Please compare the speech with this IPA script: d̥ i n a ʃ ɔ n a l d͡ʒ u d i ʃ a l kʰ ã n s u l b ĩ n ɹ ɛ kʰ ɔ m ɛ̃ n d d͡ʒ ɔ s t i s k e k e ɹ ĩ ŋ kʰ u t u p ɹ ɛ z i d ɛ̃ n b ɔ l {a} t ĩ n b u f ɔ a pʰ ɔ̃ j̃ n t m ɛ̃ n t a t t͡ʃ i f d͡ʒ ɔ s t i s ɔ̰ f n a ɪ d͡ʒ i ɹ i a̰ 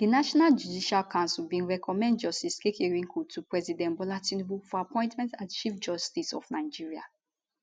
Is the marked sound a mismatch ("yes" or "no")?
no